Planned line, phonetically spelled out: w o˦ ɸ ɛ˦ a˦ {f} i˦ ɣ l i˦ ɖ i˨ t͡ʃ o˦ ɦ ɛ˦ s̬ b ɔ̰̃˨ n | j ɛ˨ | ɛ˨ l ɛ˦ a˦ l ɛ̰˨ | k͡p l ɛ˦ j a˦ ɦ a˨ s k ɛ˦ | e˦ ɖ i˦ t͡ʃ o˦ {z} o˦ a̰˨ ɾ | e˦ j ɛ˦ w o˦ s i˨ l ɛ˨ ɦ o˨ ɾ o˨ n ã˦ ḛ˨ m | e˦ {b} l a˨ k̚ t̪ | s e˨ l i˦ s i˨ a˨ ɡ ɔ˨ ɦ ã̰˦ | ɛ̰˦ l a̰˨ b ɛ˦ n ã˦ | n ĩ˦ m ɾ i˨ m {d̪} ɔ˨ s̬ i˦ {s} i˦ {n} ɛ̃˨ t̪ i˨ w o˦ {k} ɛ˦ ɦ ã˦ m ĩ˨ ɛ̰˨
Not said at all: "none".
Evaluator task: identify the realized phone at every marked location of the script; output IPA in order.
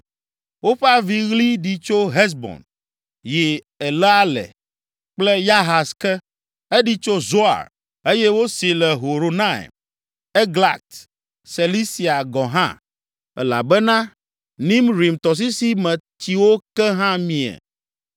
v, z, ɡ, t̪, s, m, k

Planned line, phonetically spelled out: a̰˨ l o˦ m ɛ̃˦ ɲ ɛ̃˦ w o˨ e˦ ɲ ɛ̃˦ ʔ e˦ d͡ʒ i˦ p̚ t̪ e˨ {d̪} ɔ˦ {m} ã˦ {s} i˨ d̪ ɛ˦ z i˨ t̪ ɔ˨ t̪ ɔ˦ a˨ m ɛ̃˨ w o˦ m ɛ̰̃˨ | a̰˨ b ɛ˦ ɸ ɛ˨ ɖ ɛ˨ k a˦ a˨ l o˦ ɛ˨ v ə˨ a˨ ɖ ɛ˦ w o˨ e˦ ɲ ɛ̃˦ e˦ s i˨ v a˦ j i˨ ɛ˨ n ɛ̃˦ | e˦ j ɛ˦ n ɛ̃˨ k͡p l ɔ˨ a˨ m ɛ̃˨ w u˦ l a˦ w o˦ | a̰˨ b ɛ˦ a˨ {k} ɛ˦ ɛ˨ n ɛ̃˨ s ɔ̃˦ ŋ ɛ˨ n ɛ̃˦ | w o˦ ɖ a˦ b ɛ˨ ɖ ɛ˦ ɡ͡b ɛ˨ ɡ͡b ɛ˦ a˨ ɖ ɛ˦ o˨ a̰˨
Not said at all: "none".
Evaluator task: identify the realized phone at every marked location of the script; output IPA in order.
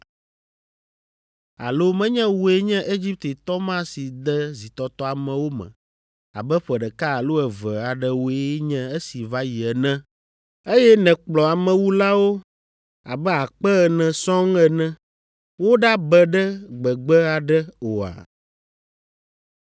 t̪, m, s, k͡p

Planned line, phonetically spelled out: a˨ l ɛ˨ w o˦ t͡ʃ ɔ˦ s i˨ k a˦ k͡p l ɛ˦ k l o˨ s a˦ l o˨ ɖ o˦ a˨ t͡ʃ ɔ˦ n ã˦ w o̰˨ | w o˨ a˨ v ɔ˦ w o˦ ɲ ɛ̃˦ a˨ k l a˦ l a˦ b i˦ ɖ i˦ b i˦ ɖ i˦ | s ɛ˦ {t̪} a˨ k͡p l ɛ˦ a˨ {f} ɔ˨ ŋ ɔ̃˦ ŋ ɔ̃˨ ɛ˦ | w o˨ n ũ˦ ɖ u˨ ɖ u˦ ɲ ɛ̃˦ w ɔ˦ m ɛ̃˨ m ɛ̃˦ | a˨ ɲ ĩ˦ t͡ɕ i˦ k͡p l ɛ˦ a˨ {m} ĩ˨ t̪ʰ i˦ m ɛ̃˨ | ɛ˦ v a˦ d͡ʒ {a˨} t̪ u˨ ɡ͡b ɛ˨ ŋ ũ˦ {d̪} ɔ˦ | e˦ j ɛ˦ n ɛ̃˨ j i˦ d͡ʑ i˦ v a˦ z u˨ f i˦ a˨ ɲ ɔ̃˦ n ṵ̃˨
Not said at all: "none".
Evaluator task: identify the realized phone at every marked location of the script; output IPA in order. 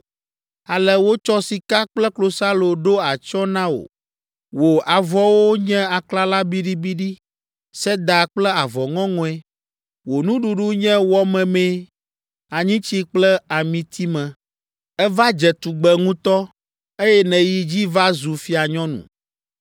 d̪, v, m, ɛ˨, t̪

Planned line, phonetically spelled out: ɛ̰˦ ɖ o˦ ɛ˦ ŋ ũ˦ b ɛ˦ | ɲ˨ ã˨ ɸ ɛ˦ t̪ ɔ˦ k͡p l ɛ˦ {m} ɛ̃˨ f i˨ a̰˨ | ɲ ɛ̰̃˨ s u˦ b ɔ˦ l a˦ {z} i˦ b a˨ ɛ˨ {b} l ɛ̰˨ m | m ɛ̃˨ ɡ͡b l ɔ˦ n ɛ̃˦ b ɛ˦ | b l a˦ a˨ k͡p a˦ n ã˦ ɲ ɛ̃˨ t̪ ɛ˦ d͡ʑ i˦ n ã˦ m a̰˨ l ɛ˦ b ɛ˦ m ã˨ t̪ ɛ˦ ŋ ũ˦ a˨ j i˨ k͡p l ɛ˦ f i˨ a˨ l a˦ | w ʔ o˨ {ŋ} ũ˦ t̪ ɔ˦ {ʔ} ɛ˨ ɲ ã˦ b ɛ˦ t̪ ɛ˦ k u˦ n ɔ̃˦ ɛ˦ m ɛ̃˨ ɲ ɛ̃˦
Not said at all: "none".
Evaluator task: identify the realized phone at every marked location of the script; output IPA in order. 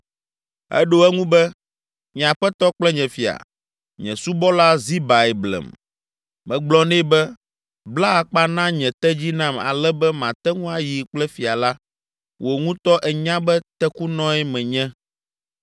ɲ, z, b, ŋ, ʔ

